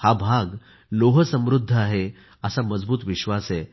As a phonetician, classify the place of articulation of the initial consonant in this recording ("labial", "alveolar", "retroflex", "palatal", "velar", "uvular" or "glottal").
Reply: glottal